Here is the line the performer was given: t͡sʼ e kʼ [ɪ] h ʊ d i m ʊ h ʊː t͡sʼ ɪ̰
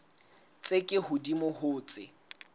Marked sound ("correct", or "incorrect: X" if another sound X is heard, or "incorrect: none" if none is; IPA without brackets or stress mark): correct